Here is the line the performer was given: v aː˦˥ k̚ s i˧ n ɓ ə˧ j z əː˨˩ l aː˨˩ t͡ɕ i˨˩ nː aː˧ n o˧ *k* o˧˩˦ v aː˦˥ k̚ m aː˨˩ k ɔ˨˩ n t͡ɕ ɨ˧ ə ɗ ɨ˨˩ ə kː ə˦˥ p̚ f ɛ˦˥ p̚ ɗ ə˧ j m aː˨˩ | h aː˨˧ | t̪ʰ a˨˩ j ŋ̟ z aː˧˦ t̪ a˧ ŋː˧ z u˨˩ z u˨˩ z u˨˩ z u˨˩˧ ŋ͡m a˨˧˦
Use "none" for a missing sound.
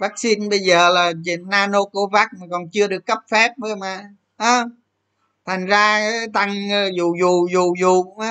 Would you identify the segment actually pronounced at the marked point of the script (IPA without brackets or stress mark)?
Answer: k